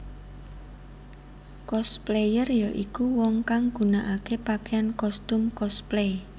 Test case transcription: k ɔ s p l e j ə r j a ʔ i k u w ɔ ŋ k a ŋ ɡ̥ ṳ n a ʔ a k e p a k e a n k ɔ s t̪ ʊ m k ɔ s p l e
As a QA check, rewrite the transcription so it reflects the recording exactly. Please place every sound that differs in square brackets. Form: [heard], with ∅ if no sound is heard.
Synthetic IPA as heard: k ɔ s p l e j ə r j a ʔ i k u w ɔ ŋ k a ŋ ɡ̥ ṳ n a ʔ a k e p a k e a n k ɔ s t̪ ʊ m k ɔ s p l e